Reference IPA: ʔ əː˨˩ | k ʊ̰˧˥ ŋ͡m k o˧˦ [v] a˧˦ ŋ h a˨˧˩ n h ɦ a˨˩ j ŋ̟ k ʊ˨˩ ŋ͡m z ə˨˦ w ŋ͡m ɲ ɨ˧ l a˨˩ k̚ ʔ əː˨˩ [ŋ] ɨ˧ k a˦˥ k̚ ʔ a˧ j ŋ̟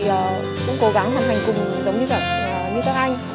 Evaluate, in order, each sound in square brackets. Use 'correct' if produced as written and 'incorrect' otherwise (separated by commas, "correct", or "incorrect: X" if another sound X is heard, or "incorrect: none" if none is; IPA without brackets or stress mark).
incorrect: ɣ, incorrect: ɲ